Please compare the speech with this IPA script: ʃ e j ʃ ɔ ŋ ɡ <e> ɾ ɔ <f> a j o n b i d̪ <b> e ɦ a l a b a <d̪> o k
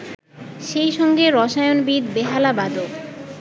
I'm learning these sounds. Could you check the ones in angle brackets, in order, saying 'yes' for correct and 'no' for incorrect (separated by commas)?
yes, no, yes, yes